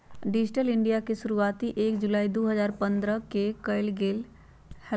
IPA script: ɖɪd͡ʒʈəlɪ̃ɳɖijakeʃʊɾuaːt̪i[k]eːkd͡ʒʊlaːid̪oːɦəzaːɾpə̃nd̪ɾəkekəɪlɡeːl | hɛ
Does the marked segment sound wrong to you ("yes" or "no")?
yes